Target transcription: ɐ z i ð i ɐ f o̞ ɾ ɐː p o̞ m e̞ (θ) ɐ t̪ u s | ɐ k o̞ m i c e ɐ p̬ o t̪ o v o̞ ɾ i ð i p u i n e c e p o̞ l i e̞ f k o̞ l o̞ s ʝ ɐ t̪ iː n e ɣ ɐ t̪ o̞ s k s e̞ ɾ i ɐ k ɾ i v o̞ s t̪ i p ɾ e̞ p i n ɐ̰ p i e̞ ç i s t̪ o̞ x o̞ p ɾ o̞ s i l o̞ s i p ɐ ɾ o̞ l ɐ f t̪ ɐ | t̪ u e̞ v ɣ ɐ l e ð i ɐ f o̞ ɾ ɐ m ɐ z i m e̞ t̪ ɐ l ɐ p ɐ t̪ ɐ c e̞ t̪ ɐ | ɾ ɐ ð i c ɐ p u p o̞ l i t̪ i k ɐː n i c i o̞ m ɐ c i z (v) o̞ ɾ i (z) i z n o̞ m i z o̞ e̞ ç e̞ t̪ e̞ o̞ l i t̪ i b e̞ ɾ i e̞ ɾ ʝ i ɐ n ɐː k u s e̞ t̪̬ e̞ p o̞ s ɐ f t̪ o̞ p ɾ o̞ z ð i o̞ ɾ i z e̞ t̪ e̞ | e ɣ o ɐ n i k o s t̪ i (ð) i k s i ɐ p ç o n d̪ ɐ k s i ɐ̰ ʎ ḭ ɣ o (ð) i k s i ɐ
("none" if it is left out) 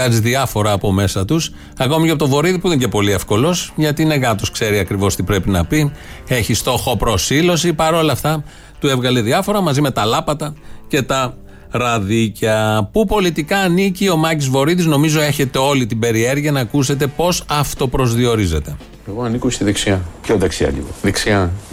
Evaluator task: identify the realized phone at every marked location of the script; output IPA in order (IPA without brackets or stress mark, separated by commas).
s, v, ð, ð, ð